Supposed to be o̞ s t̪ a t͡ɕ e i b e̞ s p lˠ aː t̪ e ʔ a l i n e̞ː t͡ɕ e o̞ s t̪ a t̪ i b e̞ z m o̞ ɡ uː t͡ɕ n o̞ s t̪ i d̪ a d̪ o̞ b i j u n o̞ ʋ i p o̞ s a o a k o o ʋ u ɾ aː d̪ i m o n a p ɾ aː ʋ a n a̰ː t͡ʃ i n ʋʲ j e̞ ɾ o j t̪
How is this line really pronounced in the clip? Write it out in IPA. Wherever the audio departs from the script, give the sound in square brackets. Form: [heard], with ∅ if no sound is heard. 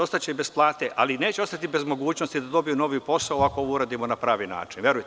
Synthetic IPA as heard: o̞ s t̪ a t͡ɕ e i b e̞ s p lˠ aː t̪ e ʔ a l i n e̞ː t͡ɕ e o̞ s t̪ a t̪ i b e̞ z m o̞ ɡ uː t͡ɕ n o̞ s t̪ i d̪ a d̪ o̞ b i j u n o̞ ʋ i p o̞ s a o a k o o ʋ u ɾ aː d̪ i m o n a p ɾ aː ʋ [i] n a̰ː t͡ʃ i n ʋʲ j e̞ ɾ [u] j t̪